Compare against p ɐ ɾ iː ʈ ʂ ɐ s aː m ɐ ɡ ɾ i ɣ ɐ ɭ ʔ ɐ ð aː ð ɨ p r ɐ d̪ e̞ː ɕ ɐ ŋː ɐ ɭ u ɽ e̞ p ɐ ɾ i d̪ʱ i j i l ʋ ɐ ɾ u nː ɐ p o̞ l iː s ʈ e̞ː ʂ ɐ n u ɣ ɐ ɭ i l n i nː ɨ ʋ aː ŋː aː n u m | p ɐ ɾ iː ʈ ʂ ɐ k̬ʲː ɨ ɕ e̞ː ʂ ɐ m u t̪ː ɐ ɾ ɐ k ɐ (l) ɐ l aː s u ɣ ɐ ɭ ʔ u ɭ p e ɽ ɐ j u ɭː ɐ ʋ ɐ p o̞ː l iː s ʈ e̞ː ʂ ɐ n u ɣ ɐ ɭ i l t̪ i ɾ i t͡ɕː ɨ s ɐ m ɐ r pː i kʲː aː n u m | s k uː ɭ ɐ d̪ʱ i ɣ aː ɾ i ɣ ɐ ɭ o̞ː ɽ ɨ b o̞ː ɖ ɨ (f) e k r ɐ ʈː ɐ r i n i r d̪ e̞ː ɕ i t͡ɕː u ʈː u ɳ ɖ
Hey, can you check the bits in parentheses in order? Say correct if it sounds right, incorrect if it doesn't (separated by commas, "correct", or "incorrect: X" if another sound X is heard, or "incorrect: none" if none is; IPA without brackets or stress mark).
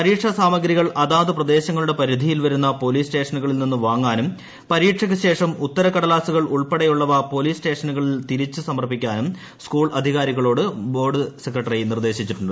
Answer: incorrect: ɽ, incorrect: s